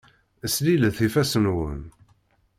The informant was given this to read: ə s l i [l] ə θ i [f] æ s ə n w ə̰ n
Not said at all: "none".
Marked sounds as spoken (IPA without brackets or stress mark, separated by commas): l, f